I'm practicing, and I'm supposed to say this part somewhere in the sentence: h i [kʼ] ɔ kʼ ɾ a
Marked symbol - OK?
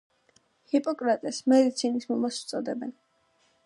no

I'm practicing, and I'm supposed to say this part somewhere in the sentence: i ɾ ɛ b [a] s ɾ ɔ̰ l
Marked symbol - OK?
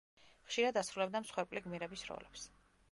no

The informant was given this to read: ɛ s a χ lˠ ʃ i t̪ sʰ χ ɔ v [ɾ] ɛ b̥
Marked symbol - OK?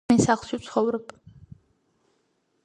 yes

